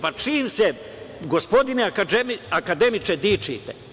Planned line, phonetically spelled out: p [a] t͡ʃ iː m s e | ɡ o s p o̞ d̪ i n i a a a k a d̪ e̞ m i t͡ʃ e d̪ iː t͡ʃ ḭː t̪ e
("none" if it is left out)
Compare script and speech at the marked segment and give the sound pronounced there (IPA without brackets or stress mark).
a